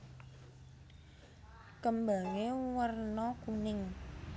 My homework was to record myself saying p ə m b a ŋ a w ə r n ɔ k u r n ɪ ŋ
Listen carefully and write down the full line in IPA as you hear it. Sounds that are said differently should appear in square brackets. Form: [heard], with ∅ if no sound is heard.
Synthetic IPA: [k] ə m b a ŋ [e] w ə r n ɔ k u [∅] n ɪ ŋ